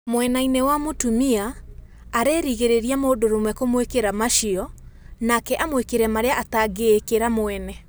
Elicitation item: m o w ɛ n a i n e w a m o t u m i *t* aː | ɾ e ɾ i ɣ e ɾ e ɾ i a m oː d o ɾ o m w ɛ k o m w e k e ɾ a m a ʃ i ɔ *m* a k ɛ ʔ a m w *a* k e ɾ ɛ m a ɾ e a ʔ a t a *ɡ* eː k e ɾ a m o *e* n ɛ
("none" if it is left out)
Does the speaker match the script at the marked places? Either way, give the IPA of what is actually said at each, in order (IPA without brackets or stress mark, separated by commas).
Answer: none, n, e, ɡ, ɛ